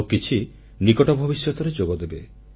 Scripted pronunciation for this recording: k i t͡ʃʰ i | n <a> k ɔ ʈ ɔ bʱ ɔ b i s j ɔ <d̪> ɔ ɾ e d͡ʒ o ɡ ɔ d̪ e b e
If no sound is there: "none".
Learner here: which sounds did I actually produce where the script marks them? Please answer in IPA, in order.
i, t̪

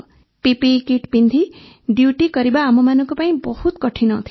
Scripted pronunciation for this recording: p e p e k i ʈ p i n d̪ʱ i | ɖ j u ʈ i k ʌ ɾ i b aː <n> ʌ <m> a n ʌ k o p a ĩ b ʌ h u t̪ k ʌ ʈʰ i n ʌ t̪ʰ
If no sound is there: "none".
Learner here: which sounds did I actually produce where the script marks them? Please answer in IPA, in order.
m, m

